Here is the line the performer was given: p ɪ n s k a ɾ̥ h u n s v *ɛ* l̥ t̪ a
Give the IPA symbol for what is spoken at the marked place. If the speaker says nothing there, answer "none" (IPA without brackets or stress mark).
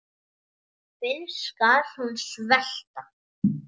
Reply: ɛ